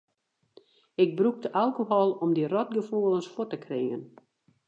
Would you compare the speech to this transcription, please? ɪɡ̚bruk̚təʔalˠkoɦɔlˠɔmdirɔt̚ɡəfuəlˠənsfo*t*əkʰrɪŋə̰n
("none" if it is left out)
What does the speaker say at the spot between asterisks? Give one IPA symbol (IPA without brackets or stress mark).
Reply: t